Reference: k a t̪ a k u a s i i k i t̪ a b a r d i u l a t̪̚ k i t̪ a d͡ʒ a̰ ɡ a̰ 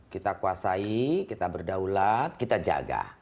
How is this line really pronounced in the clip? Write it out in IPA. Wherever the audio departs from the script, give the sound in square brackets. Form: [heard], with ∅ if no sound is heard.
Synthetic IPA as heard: k [i] t̪ a k u a s [a] i k i t̪ a b [ə] r d [a] u l a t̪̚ k i t̪ a d͡ʒ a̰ ɡ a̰

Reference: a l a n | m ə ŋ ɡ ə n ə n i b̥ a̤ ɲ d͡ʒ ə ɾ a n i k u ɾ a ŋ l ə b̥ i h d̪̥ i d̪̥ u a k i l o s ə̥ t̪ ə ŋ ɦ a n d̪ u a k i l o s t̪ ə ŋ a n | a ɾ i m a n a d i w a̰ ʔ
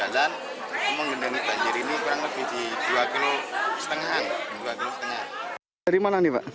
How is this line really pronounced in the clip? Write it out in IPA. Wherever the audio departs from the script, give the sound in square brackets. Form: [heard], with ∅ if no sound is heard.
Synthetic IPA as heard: a l a n | m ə ŋ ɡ ə n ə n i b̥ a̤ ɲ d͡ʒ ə ɾ [i] n i k u ɾ a ŋ l ə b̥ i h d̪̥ i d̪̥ u a k i l o s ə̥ t̪ ə ŋ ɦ a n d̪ u a k i l o s t̪ ə ŋ a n | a ɾ i m a n a [n] i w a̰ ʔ

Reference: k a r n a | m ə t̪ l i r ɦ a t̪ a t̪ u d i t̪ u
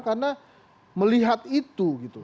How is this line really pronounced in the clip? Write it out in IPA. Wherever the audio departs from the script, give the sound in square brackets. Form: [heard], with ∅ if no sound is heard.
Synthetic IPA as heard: k a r n a | m ə [∅] l i [∅] ɦ a t̪ [i] t̪ u [ɡ] i t̪ u

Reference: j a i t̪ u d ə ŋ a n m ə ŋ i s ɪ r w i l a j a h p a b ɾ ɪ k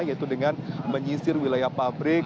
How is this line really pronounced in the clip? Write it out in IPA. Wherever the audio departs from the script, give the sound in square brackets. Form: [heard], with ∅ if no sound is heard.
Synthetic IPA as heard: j a i t̪ u d ə ŋ a n m ə [ɲ] i s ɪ r w i l a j a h p a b ɾ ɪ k

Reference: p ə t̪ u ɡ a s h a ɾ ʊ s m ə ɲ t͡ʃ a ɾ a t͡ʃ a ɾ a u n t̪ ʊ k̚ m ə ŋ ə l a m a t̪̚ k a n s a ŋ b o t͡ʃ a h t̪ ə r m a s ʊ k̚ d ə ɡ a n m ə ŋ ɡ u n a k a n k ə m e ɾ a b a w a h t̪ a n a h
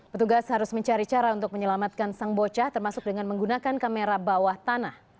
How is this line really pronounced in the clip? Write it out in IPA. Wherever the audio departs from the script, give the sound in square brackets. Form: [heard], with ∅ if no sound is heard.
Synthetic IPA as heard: p ə t̪ u ɡ a s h a ɾ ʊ s m ə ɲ t͡ʃ a ɾ [i] t͡ʃ a ɾ a u n t̪ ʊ k̚ m ə [ɲ] ə l a m a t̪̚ k a n s a ŋ b o t͡ʃ a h t̪ ə r m a s ʊ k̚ d ə [ŋ] a n m ə ŋ ɡ u n a k a n k [a] m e ɾ a b a w a h t̪ a n a h

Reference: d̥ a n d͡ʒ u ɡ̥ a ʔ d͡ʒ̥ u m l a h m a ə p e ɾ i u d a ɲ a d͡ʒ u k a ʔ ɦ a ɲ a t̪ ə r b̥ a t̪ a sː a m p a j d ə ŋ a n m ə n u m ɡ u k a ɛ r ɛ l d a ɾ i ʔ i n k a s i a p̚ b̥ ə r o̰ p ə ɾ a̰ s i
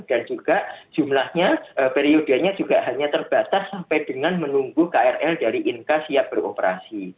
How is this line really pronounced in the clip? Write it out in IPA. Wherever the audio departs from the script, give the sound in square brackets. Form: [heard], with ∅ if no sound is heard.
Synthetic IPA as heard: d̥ a n d͡ʒ u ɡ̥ a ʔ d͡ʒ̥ u m l a h [ɲ] a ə p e ɾ i [o] d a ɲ a d͡ʒ u [ɡ] a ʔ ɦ a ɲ a t̪ ə r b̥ a t̪ a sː a m p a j d ə ŋ a n m ə n u [ŋ] ɡ u k a ɛ r ɛ l d a ɾ i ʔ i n k a s i a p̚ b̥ ə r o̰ p ə ɾ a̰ s i

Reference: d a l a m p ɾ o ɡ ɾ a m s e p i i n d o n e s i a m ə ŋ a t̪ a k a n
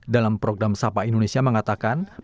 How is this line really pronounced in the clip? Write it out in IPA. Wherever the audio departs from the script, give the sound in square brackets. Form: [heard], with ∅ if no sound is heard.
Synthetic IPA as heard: d a l a m p ɾ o ɡ ɾ a m s [a] p [a] i n d o n e s i a m ə ŋ a t̪ a k a n

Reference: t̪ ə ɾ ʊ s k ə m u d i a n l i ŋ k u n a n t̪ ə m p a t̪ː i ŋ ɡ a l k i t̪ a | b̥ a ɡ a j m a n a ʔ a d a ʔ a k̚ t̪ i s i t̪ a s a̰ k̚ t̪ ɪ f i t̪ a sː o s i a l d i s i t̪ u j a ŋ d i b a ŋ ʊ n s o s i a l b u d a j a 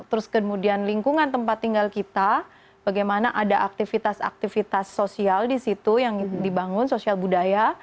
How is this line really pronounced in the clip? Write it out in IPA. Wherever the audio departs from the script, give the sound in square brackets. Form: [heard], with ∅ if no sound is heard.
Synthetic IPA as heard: t̪ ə ɾ ʊ s k ə m u d i a n l i ŋ k u [ŋ] a n t̪ ə m p a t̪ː i ŋ ɡ a l k i t̪ a | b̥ a ɡ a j m a n a ʔ a d a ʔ a k̚ t̪ i [f] i t̪ a s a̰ k̚ t̪ [i] f i t̪ a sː o s i a l d i s i t̪ u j a ŋ d i b a ŋ ʊ n s o s i a l b u d a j a

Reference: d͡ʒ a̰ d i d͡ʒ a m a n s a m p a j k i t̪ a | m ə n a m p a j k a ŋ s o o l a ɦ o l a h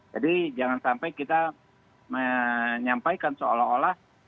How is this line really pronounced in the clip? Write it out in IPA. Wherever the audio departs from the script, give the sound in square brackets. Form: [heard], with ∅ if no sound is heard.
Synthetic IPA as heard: d͡ʒ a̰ d i d͡ʒ a [ŋ] a n s a m p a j k i t̪ a | m ə [ɲ] a m p a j k a [n] s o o l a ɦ o l a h

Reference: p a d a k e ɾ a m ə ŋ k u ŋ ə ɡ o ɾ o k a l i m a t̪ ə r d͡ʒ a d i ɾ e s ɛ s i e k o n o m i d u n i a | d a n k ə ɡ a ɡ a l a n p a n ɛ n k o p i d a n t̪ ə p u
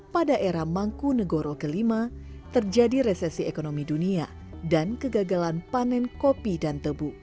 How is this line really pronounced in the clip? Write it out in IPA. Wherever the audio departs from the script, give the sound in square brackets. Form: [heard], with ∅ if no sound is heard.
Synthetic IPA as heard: p a d a [ʔ] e ɾ a m [a] ŋ k u [n] ə ɡ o ɾ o k [ə] l i m a t̪ ə r d͡ʒ a d i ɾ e s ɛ s i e k o n o m i d u n i a | d a n k ə ɡ a ɡ a l a n p a n ɛ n k o p i d a n t̪ ə [b] u

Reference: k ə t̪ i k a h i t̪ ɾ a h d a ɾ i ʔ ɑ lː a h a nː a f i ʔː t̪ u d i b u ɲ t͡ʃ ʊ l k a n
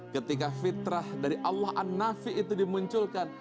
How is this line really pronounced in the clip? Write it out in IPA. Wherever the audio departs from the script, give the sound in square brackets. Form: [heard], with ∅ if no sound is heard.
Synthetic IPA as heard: k ə t̪ i k a [f] i t̪ ɾ a h d a ɾ i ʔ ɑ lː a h a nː a f i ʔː t̪ u d i [m] u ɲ t͡ʃ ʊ l k a n

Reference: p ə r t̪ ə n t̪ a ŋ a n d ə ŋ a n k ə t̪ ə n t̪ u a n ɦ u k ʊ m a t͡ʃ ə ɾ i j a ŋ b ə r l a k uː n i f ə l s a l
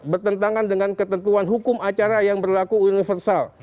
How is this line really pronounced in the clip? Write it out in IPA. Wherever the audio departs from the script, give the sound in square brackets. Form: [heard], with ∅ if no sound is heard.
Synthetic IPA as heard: [b] ə r t̪ ə n t̪ a ŋ a n d ə ŋ a n k ə t̪ ə n t̪ u a n ɦ u k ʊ m a t͡ʃ [a] ɾ [a] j a ŋ b ə r l a k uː n i f ə [r] s a l

